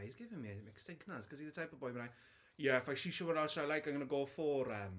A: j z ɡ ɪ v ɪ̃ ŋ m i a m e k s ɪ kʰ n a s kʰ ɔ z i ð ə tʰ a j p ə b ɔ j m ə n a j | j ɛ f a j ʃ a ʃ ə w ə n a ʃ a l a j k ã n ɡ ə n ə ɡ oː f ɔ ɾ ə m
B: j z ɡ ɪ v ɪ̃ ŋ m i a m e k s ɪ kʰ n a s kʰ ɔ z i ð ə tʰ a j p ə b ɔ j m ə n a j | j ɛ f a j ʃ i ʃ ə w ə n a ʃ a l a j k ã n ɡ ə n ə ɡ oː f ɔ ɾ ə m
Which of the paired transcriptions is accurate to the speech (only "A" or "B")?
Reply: B